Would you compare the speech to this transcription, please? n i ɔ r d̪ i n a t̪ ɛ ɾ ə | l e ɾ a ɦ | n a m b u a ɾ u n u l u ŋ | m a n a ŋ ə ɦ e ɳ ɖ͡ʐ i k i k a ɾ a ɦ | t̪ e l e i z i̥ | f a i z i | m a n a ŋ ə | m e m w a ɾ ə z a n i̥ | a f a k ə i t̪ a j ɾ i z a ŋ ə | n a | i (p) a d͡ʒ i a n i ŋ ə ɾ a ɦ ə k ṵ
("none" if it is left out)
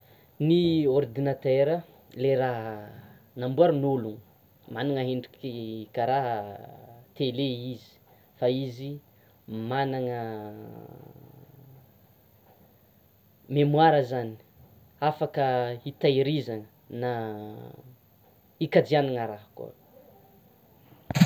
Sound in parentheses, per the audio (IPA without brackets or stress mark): k